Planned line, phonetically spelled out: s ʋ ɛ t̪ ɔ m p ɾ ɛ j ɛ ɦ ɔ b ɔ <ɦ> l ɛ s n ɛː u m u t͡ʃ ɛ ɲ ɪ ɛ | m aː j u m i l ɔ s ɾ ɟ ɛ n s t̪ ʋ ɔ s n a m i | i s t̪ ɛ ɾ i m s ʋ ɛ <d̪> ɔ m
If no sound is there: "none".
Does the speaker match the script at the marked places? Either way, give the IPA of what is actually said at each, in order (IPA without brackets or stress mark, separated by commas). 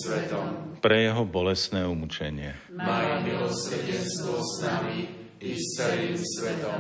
none, t̪